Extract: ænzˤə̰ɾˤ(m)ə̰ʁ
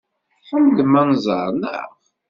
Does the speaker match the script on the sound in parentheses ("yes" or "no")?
no